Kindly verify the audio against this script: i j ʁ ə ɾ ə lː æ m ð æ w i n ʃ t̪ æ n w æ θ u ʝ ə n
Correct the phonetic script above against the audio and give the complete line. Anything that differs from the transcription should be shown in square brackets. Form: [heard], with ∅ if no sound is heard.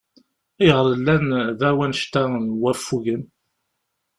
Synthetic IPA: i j ʁ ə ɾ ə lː æ [n] ð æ w [æ] n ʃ t̪ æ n w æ [f] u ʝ ə n